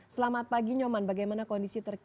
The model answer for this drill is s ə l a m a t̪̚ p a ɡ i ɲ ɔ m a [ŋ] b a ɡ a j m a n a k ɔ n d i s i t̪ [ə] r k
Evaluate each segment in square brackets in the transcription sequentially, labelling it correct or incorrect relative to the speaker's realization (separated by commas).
incorrect, correct